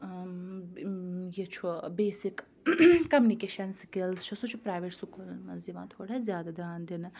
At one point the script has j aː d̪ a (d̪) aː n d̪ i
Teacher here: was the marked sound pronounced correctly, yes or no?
yes